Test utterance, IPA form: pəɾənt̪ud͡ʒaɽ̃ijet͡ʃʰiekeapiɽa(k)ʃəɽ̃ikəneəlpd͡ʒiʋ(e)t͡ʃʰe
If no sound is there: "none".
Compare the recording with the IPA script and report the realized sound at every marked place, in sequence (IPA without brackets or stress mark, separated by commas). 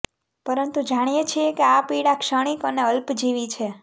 k, i